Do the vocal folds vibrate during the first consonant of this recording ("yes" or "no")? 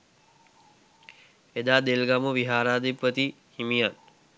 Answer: yes